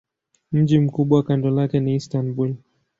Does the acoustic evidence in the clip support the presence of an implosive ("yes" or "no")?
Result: yes